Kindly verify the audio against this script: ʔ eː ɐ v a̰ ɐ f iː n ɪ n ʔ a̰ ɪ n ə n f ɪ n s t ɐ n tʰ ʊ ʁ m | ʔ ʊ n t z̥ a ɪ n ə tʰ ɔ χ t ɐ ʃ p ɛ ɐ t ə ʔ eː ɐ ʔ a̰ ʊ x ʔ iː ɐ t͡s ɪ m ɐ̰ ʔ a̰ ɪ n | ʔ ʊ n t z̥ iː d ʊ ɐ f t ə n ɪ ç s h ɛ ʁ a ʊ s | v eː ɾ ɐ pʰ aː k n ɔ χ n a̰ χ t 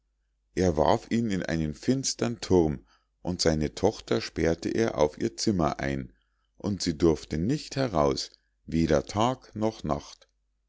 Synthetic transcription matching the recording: ʔ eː ɐ v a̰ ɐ f iː n ɪ n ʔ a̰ ɪ n ə n f ɪ n s t ɐ n tʰ ʊ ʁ m | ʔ ʊ n t z̥ a ɪ n ə tʰ ɔ χ t ɐ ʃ p ɛ ɐ t ə ʔ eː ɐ ʔ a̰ ʊ f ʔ iː ɐ t͡s ɪ m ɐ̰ ʔ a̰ ɪ n | ʔ ʊ n t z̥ iː d ʊ ɐ f t ə n ɪ ç t h ɛ ʁ a ʊ s | v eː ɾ ɐ tʰ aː k n ɔ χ n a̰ χ t

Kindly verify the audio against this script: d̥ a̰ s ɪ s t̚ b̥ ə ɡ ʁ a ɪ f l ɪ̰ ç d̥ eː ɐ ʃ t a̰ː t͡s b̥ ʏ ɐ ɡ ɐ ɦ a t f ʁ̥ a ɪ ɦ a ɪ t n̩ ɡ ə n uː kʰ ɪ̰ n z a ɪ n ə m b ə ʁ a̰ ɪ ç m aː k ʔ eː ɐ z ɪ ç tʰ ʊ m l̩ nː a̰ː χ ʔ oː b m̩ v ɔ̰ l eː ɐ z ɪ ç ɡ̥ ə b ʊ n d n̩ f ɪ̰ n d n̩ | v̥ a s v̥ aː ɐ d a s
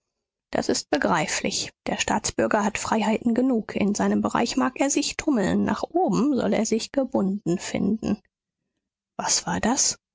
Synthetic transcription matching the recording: d̥ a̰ s ɪ s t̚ b̥ ə ɡ ʁ a ɪ f l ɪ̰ ç d̥ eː ɐ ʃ t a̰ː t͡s b̥ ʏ ɐ ɡ ɐ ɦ a t f ʁ̥ a ɪ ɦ a ɪ t n̩ ɡ ə n uː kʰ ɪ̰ n z a ɪ n ə m b ə ʁ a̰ ɪ ç m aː k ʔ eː ɐ z ɪ ç tʰ ʊ m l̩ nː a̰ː χ ʔ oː b m̩ z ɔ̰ l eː ɐ z ɪ ç ɡ̥ ə b ʊ n d n̩ f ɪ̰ n d n̩ | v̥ a s v̥ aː ɐ d a s

